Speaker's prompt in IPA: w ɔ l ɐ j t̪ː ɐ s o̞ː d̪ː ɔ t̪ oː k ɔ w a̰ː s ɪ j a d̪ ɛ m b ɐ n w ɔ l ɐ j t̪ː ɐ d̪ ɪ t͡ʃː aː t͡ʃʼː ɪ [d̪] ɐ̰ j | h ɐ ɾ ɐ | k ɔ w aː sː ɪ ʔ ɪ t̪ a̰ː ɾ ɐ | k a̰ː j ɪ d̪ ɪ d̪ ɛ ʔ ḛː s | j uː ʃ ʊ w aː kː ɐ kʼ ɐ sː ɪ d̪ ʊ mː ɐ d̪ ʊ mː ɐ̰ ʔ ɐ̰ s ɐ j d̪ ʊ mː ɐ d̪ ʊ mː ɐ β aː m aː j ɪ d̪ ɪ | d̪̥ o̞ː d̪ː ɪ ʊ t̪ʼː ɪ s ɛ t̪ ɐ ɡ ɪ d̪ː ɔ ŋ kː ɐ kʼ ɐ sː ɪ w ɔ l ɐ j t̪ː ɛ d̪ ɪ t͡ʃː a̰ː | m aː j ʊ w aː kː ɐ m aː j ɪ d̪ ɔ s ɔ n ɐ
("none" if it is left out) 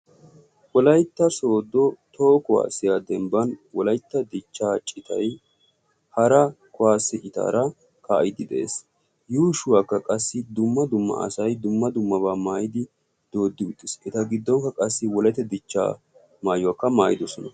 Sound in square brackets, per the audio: t̪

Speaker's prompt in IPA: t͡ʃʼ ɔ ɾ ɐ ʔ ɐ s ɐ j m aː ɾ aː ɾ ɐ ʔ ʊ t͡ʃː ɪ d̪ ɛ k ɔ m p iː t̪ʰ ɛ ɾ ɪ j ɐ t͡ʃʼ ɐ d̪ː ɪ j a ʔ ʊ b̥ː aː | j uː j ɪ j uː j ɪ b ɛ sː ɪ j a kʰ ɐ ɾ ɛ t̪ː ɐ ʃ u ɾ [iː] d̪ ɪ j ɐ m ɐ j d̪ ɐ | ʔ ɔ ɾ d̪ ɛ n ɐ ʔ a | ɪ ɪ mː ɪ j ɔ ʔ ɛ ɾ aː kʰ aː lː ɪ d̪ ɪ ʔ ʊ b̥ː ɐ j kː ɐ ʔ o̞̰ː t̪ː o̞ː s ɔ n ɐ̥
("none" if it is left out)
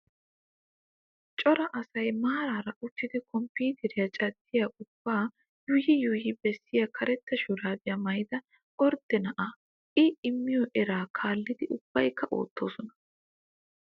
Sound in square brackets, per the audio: aː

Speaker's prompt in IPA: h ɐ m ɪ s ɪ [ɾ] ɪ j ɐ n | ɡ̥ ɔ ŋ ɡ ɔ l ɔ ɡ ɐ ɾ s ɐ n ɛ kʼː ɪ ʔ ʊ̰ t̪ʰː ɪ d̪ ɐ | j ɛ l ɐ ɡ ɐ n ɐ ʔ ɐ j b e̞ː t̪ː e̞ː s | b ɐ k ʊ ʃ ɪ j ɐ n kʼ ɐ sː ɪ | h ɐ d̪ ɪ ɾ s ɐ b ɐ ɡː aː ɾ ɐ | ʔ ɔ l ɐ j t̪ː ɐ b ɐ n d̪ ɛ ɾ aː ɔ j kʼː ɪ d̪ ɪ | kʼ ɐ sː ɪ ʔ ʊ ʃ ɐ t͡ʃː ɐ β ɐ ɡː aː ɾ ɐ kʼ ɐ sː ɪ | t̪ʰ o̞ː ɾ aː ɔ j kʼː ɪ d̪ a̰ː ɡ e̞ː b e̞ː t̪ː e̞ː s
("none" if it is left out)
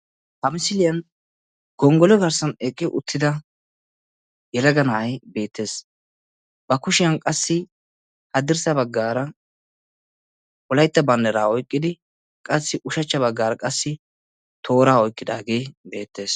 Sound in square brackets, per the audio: l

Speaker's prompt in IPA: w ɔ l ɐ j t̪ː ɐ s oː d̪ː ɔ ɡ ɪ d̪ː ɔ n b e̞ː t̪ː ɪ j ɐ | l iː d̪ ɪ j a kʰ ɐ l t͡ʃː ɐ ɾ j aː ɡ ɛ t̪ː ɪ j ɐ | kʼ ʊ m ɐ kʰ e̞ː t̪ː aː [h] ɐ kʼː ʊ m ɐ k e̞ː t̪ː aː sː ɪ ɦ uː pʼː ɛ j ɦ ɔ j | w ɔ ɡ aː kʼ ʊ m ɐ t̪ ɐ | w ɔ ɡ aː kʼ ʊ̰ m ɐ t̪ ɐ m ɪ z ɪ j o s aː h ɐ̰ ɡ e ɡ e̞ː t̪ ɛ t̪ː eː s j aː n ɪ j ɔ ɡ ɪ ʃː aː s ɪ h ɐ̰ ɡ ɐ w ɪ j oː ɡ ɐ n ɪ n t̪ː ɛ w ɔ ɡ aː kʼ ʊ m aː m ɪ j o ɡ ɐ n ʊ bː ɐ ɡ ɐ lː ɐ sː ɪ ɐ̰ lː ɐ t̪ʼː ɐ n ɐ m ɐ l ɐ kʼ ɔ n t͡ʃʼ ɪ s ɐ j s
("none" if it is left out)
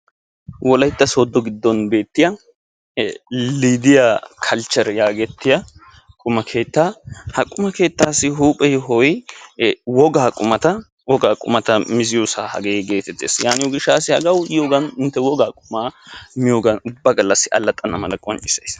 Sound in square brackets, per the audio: h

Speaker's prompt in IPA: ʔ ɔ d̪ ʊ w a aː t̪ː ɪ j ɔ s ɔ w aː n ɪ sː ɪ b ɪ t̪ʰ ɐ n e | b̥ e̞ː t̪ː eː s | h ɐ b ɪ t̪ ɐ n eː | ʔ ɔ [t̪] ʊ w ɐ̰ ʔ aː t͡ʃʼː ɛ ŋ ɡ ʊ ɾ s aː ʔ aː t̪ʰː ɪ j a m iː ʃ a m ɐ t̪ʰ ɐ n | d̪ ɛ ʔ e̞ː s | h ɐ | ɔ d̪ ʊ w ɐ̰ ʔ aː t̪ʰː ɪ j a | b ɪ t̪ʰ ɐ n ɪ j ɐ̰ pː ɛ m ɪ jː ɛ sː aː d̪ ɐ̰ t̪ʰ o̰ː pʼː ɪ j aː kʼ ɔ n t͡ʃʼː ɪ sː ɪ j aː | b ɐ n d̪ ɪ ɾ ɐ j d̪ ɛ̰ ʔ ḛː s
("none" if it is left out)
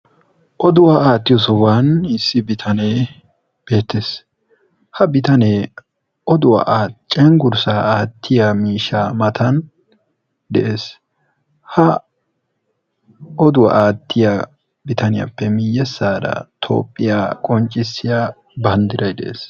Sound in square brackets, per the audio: d̪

